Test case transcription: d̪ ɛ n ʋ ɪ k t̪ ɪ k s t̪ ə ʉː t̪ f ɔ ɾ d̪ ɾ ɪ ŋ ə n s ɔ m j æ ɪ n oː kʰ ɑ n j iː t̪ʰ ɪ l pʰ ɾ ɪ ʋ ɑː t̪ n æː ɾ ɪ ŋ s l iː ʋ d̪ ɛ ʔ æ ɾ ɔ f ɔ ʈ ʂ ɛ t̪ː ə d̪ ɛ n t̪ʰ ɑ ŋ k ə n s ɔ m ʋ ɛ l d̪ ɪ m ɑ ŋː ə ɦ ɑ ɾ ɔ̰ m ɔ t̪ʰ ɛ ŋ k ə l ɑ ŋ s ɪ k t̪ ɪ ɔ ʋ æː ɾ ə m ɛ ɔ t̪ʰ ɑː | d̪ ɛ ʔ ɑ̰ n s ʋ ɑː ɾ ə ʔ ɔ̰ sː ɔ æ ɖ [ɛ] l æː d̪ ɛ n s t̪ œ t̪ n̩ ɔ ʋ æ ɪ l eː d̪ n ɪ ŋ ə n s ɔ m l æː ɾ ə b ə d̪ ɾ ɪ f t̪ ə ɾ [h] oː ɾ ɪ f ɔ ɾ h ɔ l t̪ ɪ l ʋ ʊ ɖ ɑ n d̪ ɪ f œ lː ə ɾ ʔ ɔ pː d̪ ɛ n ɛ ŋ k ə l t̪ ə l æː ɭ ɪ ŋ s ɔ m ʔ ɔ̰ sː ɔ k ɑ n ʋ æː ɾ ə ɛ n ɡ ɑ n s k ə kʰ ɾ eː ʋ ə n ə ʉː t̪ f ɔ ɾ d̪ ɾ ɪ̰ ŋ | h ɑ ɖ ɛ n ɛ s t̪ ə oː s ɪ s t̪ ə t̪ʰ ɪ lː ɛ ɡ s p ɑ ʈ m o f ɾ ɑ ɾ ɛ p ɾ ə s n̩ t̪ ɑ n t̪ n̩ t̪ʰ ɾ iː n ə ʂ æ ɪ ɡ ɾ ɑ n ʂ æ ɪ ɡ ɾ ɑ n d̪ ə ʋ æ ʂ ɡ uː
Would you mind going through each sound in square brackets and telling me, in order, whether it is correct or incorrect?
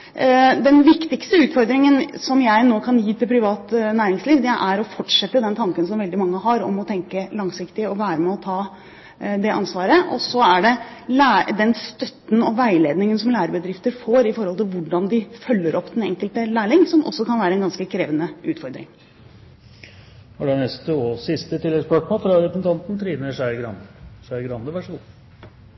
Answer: correct, incorrect: f

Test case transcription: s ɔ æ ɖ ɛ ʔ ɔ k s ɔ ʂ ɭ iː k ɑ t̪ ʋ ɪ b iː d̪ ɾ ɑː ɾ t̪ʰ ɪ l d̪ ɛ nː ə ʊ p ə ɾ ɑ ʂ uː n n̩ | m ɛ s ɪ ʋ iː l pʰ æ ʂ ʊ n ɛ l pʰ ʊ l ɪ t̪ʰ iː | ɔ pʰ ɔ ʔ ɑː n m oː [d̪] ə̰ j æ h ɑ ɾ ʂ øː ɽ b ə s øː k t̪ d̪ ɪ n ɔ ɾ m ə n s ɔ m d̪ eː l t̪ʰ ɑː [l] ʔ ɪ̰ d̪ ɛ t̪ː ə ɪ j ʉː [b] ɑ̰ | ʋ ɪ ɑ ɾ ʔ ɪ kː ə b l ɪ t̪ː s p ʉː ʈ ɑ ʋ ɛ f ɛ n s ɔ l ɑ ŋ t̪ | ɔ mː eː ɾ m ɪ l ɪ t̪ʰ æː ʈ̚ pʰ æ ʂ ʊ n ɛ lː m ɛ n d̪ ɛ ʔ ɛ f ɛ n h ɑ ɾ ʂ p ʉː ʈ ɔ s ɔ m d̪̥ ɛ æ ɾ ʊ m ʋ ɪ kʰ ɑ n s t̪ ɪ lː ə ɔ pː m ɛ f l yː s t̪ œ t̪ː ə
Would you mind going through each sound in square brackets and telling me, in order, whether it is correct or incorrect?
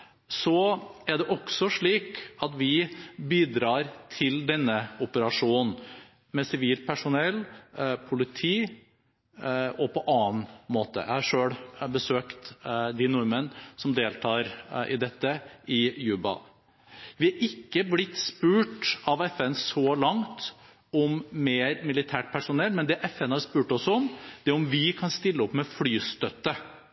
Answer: incorrect: t̪, incorrect: ɾ, correct

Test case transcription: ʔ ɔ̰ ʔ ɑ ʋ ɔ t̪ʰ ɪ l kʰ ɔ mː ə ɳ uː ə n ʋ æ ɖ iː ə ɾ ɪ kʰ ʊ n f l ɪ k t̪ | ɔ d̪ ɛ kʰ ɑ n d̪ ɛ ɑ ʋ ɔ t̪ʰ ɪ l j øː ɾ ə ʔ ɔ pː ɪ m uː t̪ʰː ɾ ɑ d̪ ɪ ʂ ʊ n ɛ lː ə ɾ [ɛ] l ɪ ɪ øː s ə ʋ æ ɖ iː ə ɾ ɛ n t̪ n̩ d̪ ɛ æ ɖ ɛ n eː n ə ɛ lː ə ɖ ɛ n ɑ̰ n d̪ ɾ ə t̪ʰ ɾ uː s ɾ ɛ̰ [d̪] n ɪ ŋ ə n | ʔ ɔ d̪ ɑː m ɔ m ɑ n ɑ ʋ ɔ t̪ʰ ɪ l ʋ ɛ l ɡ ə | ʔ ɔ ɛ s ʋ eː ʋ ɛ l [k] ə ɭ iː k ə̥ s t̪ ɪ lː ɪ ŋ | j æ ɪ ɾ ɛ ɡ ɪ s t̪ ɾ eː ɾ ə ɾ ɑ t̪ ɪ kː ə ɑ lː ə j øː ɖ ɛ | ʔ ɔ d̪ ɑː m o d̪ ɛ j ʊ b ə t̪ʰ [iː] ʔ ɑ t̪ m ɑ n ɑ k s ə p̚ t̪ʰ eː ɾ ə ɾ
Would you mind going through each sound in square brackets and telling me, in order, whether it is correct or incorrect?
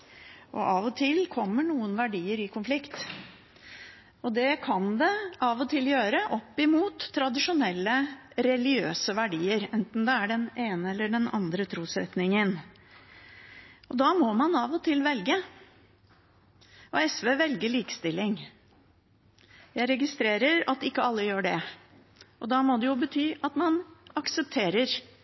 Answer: correct, incorrect: t̪, incorrect: ɡ, incorrect: yː

